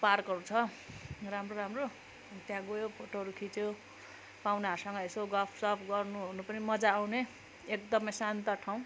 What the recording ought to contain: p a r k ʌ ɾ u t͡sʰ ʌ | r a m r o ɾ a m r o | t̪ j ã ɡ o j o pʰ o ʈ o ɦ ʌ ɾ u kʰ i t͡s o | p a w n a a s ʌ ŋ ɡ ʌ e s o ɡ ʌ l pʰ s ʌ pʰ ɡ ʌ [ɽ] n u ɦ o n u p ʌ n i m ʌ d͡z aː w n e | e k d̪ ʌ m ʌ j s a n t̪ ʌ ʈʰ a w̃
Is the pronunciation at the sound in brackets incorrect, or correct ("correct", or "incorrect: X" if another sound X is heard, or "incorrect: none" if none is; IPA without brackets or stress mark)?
incorrect: r